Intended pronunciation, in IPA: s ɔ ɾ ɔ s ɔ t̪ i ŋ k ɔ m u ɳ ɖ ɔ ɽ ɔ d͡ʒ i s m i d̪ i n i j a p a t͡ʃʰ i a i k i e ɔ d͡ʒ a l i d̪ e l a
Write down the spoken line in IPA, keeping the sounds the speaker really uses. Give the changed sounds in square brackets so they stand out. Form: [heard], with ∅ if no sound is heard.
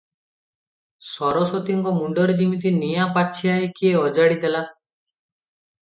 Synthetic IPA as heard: s ɔ ɾ ɔ s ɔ t̪ i ŋ k ɔ m u ɳ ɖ ɔ [ɾ] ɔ d͡ʒ i [∅] m i [t̪] i n i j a p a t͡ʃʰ i a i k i e ɔ d͡ʒ a [ɽ] i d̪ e l a